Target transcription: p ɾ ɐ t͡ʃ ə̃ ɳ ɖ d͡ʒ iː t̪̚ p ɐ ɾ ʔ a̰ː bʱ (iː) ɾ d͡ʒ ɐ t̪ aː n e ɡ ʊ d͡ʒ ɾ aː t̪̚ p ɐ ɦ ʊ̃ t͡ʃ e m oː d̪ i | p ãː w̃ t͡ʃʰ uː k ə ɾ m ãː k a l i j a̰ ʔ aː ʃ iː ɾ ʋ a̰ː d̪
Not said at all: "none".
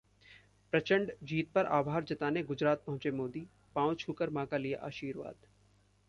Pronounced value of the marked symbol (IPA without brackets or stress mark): aː